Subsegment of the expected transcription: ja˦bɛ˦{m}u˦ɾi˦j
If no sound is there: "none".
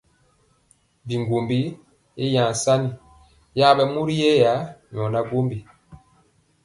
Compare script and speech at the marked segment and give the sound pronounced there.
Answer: m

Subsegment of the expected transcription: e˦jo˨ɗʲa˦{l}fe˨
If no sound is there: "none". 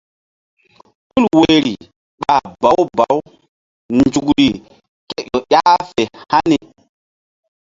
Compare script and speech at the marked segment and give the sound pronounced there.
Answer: none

